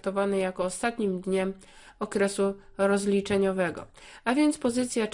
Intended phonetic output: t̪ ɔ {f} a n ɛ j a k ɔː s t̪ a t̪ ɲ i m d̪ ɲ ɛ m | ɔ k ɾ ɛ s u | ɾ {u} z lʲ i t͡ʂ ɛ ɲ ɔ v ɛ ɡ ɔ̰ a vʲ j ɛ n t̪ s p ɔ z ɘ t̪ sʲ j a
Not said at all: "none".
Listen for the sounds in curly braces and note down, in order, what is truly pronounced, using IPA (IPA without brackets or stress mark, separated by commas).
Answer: v, ɔ